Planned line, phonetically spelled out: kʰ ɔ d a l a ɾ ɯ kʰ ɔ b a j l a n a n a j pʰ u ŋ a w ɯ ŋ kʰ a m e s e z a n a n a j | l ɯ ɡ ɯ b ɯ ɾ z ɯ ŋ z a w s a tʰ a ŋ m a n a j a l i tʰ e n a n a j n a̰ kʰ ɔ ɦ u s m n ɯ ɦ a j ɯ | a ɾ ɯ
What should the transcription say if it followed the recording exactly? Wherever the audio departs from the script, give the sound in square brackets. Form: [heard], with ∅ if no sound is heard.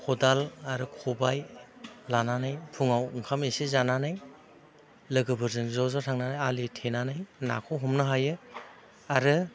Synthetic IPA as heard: kʰ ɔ d a l a ɾ ɯ kʰ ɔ b a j l a n a n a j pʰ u ŋ a w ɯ ŋ kʰ a m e s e z a n a n a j | l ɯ ɡ ɯ b ɯ ɾ z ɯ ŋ z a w [z] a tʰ a ŋ [n] a n a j a l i tʰ e n a n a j n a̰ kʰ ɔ ɦ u [∅] m n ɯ ɦ a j ɯ | a ɾ ɯ